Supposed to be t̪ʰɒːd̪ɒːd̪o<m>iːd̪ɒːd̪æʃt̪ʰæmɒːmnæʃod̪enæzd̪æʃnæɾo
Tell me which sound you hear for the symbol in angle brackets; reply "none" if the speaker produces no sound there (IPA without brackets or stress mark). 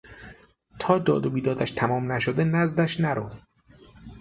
b